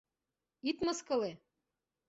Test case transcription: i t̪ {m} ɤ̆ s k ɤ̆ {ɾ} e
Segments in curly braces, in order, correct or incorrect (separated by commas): correct, incorrect